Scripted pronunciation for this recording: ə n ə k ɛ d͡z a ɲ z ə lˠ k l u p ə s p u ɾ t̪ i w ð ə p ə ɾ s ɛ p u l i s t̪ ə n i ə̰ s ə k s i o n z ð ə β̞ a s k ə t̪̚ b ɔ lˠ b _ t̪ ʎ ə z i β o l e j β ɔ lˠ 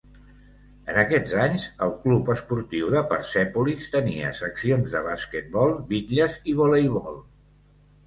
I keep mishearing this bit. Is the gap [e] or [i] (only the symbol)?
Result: i